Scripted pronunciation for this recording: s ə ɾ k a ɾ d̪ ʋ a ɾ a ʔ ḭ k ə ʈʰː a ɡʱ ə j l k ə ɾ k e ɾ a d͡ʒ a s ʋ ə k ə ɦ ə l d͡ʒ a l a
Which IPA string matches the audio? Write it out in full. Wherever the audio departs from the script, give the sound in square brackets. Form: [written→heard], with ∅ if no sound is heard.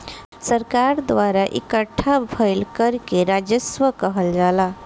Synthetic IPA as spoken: s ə ɾ k a ɾ d̪ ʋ a ɾ a ʔ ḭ k ə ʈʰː a [ɡʱ→bʱ] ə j l k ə ɾ k e ɾ a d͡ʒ [a→ə] s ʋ ə k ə ɦ ə l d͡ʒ a l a